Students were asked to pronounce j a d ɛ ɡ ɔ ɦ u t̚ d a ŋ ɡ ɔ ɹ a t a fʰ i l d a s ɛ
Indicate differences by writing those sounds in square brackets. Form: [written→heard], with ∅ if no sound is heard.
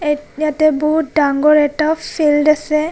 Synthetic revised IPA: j a [d→t] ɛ [ɡ→b] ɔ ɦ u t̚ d a ŋ ɡ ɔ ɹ [a→ɛ] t a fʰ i l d a s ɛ